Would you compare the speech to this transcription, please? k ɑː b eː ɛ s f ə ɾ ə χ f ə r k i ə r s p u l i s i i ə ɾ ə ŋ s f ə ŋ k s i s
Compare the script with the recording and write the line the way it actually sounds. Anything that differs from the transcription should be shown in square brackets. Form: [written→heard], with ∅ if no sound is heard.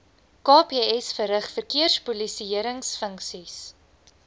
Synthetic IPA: k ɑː [b→p] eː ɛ s f ə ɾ ə χ f ə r k i ə r s p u l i s i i ə ɾ ə ŋ s f ə ŋ k s i s